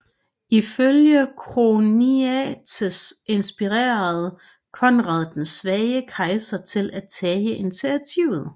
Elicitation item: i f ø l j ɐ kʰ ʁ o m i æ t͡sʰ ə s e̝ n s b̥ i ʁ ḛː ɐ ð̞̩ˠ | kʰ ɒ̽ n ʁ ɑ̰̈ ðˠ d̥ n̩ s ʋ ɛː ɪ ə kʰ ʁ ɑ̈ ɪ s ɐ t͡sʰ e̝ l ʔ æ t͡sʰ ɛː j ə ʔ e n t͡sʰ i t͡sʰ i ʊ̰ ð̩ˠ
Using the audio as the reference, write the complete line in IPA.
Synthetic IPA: i f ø l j ə kʰ ʁ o n i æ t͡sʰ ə s e̝ n s b̥ i ʁ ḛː ɐ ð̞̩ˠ | kʰ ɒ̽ n ʁ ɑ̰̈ ðˠ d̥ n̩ s ʋ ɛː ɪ ə kʰ ʁ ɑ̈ ɪ s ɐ t͡sʰ e̝ l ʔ æ t͡sʰ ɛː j ə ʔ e n t͡sʰ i t͡sʰ i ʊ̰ ð̩ˠ